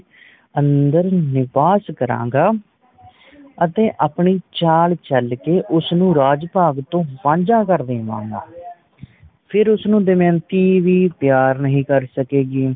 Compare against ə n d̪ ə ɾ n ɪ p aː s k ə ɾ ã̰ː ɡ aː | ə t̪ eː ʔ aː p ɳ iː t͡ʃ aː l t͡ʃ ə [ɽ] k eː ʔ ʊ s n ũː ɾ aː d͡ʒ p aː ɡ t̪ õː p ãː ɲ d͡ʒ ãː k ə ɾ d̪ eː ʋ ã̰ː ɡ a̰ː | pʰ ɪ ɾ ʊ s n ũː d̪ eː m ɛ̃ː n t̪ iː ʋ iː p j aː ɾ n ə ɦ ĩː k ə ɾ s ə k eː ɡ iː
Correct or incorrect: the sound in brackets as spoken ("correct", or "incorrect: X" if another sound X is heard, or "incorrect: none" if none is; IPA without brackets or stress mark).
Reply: incorrect: l